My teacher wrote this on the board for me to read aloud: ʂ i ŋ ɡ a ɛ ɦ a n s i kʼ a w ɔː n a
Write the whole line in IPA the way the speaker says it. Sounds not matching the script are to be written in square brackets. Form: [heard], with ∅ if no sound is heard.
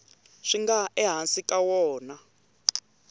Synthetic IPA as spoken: ʂ i ŋ ɡ a ɛ ɦ a n s i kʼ a w ɔː n a